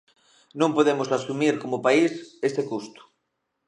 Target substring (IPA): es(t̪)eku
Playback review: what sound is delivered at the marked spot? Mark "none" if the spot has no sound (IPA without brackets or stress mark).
t̪